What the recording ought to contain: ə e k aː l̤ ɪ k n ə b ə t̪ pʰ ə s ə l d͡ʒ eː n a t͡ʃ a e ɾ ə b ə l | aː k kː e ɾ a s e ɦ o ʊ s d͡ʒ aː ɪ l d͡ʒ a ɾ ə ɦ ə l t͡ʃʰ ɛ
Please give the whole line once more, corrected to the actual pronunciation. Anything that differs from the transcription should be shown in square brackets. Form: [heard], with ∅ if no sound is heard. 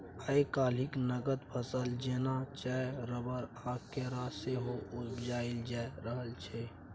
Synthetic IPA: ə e k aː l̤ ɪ k n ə [ɡ] ə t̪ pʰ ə s ə l d͡ʒ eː n a t͡ʃ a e ɾ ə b ə [ɾ] | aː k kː e ɾ a s e ɦ o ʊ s d͡ʒ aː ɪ l d͡ʒ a ɾ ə ɦ ə l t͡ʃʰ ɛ